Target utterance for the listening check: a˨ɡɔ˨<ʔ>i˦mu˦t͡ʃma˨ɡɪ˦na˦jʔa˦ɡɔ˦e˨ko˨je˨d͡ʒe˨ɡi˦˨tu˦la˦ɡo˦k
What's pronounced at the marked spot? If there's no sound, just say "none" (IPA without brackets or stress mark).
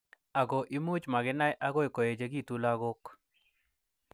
ʔ